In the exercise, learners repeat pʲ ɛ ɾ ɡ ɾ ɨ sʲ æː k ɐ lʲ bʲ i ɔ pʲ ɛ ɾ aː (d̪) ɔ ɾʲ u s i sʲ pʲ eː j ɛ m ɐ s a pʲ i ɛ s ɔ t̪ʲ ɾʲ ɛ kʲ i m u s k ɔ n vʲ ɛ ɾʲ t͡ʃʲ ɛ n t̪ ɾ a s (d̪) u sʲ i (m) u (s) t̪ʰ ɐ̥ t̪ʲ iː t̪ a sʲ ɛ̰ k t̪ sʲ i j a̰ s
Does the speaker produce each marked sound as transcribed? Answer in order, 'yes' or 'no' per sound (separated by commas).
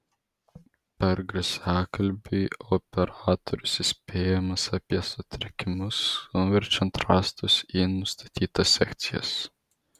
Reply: no, no, no, yes